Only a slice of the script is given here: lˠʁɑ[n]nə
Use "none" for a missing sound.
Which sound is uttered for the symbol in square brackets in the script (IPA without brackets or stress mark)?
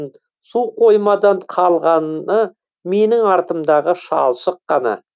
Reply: n